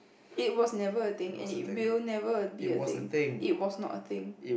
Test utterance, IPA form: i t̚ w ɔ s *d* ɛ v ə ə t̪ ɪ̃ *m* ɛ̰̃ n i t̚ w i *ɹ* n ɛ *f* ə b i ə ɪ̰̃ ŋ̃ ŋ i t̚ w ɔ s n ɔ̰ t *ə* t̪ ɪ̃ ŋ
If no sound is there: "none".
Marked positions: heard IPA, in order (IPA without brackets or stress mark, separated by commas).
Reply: n, ŋ, l, v, ə